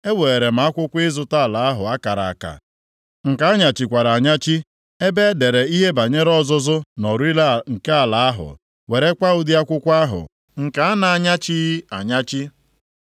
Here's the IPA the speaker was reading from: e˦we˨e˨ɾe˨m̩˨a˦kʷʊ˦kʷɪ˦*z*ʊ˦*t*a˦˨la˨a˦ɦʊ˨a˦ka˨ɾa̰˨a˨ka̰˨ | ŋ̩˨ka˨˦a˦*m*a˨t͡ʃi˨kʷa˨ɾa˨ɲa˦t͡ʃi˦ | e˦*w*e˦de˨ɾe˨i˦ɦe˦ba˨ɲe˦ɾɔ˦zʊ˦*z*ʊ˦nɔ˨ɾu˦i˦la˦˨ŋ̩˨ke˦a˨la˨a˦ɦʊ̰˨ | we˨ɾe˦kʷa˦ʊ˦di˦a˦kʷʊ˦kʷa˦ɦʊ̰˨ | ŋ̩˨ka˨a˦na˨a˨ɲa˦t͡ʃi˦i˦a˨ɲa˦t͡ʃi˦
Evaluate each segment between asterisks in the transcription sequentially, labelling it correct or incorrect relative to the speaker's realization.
correct, correct, incorrect: ɲ, incorrect: b, correct

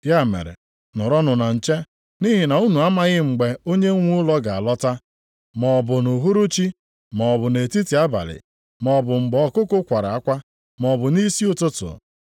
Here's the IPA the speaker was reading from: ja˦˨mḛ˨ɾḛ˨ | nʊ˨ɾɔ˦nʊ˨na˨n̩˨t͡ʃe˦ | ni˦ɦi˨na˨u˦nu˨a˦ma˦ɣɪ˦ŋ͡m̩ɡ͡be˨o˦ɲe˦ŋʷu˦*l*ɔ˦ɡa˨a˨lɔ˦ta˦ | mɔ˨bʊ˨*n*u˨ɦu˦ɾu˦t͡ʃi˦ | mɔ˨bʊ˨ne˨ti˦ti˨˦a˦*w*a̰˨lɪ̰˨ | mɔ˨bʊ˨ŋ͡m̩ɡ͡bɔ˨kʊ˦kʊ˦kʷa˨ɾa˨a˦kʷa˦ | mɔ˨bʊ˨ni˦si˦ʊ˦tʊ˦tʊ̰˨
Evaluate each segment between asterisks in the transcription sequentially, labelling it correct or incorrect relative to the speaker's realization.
correct, correct, incorrect: b

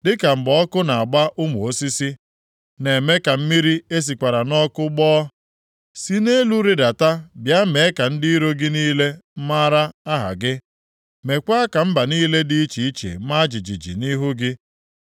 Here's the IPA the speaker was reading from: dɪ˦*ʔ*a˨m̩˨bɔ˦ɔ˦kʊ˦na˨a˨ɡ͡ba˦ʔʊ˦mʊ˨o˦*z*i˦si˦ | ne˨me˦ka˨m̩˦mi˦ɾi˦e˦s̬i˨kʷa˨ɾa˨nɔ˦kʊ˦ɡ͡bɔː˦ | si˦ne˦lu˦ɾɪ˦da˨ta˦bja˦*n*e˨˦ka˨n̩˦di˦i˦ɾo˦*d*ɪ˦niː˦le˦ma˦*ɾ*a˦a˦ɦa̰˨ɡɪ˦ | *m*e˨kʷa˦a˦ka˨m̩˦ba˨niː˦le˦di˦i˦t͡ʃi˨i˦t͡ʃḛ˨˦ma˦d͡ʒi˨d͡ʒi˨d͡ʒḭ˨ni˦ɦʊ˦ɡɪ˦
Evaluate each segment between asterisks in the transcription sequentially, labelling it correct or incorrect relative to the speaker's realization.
incorrect: k, incorrect: s, incorrect: m, incorrect: ɡ, correct, correct

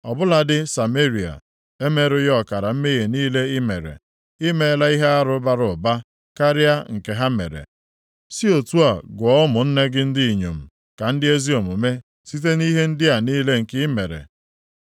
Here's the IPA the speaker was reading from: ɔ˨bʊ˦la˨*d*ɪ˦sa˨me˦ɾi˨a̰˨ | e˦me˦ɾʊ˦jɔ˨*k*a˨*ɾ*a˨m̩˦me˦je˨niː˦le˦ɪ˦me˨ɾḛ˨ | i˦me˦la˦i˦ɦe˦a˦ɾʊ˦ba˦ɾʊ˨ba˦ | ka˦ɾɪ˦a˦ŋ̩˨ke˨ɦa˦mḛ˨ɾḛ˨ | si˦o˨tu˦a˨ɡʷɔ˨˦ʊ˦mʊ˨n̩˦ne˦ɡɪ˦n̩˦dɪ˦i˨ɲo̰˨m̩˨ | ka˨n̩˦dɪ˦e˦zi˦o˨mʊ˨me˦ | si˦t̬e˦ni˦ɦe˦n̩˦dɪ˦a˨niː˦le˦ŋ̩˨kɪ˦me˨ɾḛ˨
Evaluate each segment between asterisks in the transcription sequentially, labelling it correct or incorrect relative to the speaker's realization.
correct, correct, correct

